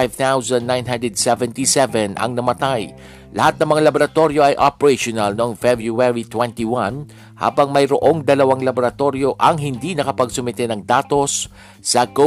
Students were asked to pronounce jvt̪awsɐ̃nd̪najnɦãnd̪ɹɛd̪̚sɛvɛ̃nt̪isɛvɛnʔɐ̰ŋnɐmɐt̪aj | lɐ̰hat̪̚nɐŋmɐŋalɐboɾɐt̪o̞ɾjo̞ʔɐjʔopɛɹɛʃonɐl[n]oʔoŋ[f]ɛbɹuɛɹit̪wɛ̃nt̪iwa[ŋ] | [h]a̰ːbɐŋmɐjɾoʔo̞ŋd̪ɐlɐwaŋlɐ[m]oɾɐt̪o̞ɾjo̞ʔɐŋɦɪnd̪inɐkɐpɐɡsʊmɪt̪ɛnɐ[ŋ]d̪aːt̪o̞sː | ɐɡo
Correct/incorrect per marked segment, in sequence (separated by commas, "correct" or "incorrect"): correct, correct, incorrect, correct, incorrect, correct